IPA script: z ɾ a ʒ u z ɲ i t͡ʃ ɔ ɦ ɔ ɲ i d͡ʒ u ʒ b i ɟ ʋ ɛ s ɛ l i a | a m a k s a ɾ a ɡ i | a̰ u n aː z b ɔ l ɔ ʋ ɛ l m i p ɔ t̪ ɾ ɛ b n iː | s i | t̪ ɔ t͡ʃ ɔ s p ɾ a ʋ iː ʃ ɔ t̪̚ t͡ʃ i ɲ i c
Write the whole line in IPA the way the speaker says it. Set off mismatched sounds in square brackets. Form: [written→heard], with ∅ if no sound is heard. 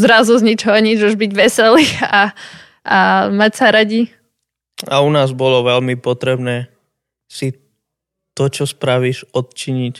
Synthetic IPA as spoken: z ɾ a [ʒ→z] u z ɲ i t͡ʃ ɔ ɦ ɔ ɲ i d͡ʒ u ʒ b i ɟ ʋ ɛ s ɛ l i a | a m a [k→c] s a ɾ a [ɡ→ɟ] i | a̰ u n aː z b ɔ l ɔ ʋ ɛ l m i p ɔ t̪ ɾ ɛ b n [iː→ɛː] | s i | t̪ ɔ t͡ʃ ɔ s p ɾ a ʋ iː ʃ ɔ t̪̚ t͡ʃ i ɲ i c